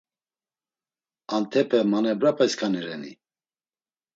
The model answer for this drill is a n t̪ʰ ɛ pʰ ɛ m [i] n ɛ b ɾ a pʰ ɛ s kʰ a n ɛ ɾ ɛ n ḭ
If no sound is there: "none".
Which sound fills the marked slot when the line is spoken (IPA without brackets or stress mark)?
a